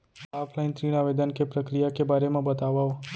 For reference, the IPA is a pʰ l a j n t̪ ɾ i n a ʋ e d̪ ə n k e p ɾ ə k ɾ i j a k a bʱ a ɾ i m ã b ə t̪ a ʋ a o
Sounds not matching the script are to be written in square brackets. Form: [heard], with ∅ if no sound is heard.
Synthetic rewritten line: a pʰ l a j n t̪ ɾ i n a ʋ e d̪ ə n k e p ɾ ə k ɾ i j a k [e] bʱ a ɾ [e] m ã b ə t̪ a ʋ a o